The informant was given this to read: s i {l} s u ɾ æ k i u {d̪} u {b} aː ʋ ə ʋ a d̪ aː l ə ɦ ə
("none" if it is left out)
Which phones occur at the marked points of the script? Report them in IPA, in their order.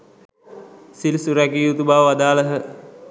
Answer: l, t̪, b

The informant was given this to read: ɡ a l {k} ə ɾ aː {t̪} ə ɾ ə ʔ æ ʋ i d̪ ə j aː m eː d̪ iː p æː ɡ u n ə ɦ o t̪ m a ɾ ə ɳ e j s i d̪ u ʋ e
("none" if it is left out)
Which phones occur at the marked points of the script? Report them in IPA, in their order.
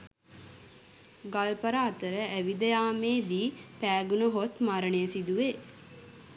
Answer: p, t̪

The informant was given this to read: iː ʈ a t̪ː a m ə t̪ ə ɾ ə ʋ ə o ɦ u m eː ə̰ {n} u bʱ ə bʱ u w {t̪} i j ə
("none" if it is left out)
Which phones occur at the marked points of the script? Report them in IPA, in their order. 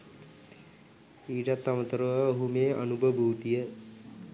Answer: n, t̪

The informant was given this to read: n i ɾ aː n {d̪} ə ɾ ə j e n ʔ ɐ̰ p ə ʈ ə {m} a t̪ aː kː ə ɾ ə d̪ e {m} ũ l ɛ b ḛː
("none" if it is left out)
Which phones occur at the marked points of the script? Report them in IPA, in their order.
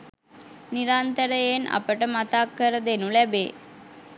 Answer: t̪, m, n

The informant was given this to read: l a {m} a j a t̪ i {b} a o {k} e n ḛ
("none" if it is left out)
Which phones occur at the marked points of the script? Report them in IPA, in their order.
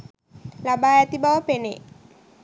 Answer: b, b, p

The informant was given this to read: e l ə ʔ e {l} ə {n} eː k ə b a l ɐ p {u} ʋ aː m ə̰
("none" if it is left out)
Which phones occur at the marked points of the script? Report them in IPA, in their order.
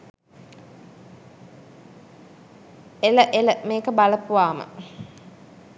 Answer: l, m, u

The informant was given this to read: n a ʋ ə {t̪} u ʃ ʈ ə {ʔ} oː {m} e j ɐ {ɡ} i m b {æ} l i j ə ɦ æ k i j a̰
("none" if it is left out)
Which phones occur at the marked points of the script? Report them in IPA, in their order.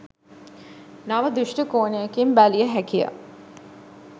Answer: d̪, k, n, k, æ

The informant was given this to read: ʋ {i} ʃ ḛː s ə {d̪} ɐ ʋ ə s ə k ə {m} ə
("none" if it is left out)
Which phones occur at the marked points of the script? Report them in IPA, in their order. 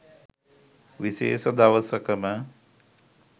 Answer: i, d̪, m

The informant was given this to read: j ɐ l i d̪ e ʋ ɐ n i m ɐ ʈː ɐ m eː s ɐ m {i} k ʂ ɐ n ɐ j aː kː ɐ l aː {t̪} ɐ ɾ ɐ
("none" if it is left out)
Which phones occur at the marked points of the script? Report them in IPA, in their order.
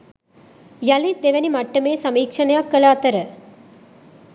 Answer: iː, t̪

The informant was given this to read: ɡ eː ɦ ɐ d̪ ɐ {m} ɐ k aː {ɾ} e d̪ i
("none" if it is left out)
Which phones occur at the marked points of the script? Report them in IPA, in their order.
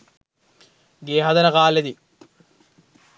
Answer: n, l

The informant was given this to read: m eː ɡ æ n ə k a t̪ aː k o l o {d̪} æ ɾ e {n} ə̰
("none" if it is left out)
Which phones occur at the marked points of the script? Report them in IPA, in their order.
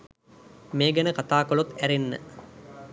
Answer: t̪, nː

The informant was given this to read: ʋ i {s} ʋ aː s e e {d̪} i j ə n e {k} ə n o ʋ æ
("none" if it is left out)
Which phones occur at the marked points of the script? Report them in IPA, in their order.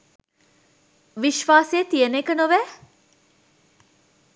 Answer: ʃ, t̪, k

